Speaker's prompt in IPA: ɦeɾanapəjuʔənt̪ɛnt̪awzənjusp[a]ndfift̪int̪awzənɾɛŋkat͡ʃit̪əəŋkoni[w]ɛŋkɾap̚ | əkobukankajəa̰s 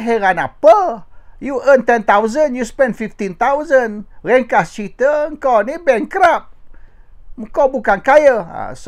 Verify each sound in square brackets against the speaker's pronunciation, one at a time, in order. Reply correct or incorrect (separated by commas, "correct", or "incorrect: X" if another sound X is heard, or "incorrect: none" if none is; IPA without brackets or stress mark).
incorrect: ɛ, incorrect: b